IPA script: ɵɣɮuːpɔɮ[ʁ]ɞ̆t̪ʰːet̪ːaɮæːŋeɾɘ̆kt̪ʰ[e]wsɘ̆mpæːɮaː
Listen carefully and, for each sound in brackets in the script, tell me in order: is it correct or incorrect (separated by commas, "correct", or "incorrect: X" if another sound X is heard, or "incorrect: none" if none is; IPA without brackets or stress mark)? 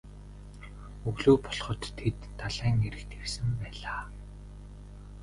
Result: incorrect: χ, correct